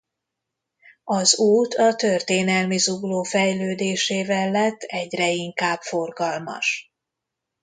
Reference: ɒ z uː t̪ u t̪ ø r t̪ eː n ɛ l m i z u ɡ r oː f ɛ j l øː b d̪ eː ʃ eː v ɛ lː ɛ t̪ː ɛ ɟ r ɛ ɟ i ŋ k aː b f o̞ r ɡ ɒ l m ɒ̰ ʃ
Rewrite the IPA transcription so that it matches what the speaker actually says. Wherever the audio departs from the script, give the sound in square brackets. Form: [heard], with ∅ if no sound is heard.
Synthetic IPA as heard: ɒ z uː t̪ [ɒ] t̪ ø r t̪ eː n ɛ l m i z u ɡ [l] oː f ɛ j l øː [∅] d̪ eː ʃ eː v ɛ lː ɛ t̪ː ɛ ɟ r ɛ [∅] i ŋ k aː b f o̞ r ɡ ɒ l m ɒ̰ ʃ

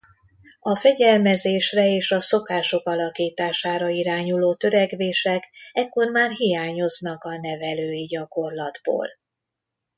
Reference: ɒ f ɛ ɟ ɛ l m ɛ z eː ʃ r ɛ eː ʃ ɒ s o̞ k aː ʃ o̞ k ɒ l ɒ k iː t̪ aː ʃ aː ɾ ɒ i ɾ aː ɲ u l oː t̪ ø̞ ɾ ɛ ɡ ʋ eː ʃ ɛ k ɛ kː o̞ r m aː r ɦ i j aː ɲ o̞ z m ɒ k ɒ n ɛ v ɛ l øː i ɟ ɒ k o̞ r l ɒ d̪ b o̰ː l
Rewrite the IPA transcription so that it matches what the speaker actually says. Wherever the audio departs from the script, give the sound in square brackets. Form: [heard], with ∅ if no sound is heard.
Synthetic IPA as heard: ɒ f ɛ ɟ ɛ l m ɛ z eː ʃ r ɛ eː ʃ ɒ s o̞ k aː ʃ o̞ k ɒ l ɒ k iː t̪ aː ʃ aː ɾ ɒ i ɾ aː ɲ u l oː t̪ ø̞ ɾ ɛ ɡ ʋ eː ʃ ɛ k ɛ kː o̞ r m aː r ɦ i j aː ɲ o̞ z [n] ɒ k ɒ n ɛ v ɛ l øː i ɟ ɒ k o̞ r l ɒ d̪ b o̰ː l

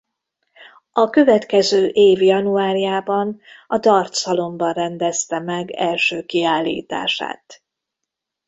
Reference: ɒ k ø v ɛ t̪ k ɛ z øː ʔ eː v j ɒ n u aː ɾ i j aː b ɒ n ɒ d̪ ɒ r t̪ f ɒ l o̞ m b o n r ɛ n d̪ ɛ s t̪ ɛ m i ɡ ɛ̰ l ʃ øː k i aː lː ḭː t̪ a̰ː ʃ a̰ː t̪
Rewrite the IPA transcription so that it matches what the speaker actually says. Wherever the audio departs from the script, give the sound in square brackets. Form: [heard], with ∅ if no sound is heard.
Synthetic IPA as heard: ɒ k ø v ɛ t̪ k ɛ z øː ʔ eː v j ɒ n u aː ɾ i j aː b ɒ n ɒ d̪ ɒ r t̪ [s] ɒ l o̞ m b [ɒ] n r ɛ n d̪ ɛ s t̪ ɛ m [ɛ] ɡ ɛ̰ l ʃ øː k i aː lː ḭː t̪ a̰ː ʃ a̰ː t̪

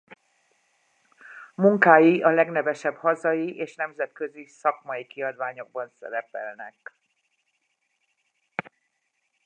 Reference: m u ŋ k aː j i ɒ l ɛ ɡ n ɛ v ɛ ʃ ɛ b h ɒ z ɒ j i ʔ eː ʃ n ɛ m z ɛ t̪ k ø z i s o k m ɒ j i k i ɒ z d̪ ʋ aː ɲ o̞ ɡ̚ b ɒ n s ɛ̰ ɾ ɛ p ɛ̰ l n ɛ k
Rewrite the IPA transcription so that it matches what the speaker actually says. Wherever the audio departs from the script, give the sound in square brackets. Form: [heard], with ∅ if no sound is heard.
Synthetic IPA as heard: m u ŋ k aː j i ɒ l ɛ ɡ n ɛ v ɛ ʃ ɛ b h ɒ z ɒ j i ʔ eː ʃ n ɛ m z ɛ t̪ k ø z i s [ɒ] k m ɒ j i k i ɒ [∅] d̪ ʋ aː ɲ o̞ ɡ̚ b ɒ n s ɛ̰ ɾ ɛ p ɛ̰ l n ɛ k

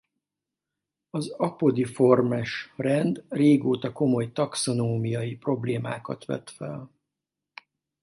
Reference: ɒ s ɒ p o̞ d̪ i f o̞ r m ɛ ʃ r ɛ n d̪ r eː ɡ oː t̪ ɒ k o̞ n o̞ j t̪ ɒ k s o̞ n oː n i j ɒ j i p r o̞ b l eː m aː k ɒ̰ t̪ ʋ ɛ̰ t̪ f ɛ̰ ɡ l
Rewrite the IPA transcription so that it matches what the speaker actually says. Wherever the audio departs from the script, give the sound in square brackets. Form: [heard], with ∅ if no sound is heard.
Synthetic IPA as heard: ɒ [z] ɒ p o̞ d̪ i f o̞ r m ɛ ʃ r ɛ n d̪ r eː ɡ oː t̪ ɒ k o̞ [m] o̞ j t̪ ɒ k s o̞ n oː [m] i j ɒ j i p r o̞ b l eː m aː k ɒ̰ t̪ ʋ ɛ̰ t̪ f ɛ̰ [∅] l

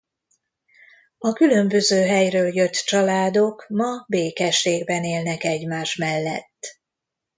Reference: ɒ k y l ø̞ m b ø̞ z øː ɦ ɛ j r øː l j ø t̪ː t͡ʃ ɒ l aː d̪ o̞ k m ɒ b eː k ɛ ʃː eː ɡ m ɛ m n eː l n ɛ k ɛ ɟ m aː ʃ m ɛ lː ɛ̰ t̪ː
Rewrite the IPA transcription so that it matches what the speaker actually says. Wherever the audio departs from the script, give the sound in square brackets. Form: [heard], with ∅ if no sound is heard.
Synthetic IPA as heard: ɒ k y l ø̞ m b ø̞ z øː ɦ ɛ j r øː l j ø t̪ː t͡ʃ ɒ l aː d̪ o̞ k m ɒ b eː k ɛ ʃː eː ɡ [b] ɛ [∅] n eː l n ɛ k ɛ ɟ m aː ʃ m ɛ lː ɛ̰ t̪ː

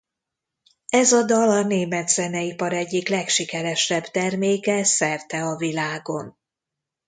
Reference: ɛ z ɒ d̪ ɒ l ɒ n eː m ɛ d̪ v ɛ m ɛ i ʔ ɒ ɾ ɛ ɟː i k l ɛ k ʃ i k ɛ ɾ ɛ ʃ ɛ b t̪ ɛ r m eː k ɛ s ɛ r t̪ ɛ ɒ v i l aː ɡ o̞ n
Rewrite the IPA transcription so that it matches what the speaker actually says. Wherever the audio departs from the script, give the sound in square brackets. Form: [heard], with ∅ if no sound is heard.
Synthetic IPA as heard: ɛ z ɒ d̪ ɒ l ɒ n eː m ɛ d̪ [z] ɛ [n] ɛ i [p] ɒ ɾ ɛ ɟː i k l ɛ k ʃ i k ɛ ɾ ɛ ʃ ɛ b t̪ ɛ r m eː k ɛ s ɛ r t̪ ɛ ɒ v i l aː ɡ o̞ n

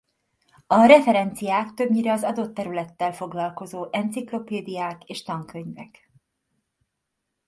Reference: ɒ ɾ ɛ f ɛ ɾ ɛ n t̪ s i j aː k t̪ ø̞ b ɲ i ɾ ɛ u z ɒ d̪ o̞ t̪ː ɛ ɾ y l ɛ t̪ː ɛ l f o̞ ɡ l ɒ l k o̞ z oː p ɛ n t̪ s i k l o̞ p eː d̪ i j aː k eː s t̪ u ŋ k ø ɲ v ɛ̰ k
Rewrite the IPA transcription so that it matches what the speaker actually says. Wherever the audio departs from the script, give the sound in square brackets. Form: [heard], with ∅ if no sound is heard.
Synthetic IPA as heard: ɒ ɾ ɛ f ɛ ɾ ɛ n t̪ s i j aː k t̪ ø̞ b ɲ i ɾ ɛ [ɒ] z ɒ d̪ o̞ t̪ː ɛ ɾ y l ɛ t̪ː ɛ l f o̞ ɡ l ɒ l k o̞ z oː [ʔ] ɛ n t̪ s i k l o̞ p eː d̪ i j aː k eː [ʃ] t̪ [ɒ] ŋ k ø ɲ v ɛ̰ k

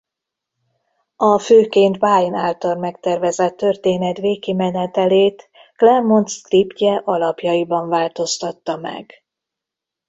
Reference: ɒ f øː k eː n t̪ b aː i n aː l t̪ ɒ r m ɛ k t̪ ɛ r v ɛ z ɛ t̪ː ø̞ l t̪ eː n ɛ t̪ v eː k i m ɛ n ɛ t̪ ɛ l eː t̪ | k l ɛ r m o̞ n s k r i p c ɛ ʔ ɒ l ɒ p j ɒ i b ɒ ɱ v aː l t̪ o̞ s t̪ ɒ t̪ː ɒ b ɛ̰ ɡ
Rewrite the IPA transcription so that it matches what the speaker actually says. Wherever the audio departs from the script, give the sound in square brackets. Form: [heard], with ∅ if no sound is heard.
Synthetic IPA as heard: ɒ f øː k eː n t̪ b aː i n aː l t̪ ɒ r m ɛ k t̪ ɛ r v ɛ z ɛ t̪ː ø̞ [r] t̪ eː n ɛ t̪ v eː k i m ɛ n ɛ t̪ ɛ l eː t̪ | k l ɛ r m o̞ n s k r i p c ɛ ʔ ɒ l ɒ p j ɒ i b ɒ ɱ v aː l t̪ o̞ s t̪ ɒ t̪ː ɒ [m] ɛ̰ ɡ

